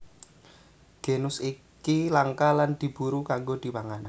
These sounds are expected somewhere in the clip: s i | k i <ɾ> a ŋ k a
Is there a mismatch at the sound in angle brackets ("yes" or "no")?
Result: yes